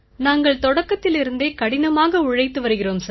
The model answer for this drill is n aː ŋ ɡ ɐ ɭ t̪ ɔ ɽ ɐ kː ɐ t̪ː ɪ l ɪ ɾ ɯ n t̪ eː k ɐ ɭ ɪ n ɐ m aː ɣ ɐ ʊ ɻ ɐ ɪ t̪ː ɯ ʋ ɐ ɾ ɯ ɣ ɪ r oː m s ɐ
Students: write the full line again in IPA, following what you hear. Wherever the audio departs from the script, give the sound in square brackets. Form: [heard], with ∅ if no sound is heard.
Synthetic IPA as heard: n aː ŋ ɡ ɐ ɭ t̪ ɔ ɽ ɐ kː ɐ t̪ː ɪ l ɪ ɾ ɯ n [d̪] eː k ɐ [ɽ] ɪ n ɐ m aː ɣ ɐ ʊ ɻ ɐ ɪ t̪ː ɯ ʋ ɐ ɾ ɯ ɣ ɪ r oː m s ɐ